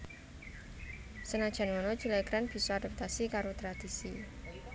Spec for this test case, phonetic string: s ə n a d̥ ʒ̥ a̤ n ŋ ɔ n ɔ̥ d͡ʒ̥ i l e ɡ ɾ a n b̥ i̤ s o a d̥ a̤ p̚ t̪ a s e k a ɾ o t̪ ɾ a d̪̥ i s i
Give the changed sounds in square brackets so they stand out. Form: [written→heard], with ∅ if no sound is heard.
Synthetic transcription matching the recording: s ə n a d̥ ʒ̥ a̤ n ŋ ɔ n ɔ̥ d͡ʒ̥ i l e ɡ ɾ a n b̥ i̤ s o a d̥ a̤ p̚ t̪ a s [e→i] k a ɾ o t̪ ɾ a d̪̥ i s i